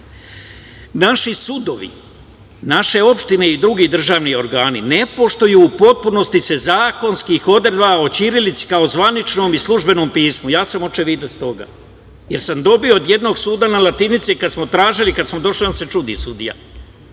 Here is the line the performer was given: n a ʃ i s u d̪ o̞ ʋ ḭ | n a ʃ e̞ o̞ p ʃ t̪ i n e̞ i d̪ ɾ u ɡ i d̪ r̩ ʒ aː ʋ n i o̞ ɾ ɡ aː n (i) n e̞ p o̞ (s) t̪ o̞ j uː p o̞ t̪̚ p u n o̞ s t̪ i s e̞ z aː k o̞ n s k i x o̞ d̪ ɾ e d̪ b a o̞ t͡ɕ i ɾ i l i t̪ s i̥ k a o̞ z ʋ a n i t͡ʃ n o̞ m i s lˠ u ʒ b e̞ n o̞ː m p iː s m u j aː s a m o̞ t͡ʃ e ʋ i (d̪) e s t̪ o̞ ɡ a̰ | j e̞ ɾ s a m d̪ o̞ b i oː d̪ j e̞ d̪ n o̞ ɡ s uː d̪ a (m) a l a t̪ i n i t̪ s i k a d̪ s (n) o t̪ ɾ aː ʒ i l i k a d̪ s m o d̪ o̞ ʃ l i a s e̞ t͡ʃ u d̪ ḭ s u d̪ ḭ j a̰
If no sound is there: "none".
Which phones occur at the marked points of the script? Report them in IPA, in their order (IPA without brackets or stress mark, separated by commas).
i, ʃ, d̪, n, m